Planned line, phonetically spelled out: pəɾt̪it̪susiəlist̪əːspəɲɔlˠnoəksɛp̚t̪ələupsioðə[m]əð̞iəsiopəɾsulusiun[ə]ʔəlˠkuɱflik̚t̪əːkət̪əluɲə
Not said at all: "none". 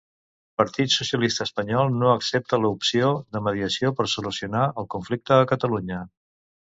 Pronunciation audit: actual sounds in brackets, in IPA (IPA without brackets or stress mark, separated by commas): m, a